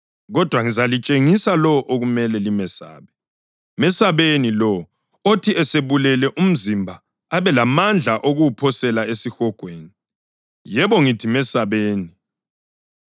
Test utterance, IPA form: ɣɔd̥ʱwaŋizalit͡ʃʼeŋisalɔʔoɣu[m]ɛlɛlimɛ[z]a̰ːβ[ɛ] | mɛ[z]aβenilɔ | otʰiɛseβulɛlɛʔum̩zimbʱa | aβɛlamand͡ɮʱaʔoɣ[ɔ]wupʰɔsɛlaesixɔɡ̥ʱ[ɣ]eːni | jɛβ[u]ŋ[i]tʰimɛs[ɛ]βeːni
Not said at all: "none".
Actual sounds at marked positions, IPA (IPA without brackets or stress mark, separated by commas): m, s, ɛ, s, u, w, ɔ, i, a